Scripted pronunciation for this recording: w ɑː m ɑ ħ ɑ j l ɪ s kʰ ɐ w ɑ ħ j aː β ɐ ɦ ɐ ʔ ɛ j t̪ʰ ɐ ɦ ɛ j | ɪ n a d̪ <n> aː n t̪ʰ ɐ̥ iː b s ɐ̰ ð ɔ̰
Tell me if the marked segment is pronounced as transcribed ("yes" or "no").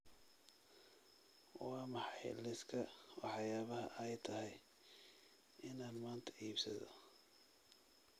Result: no